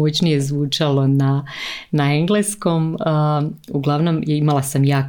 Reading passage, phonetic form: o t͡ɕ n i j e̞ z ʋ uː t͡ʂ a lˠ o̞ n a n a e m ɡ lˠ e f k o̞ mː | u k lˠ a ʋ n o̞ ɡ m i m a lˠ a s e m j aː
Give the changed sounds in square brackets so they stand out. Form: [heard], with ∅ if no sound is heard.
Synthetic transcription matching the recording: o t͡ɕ n i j e̞ z ʋ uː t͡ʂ a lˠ o̞ n a n a e [ŋ] ɡ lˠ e [s] k o̞ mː | u [ɡ] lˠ a ʋ n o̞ [∅] m i m a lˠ a s [a] m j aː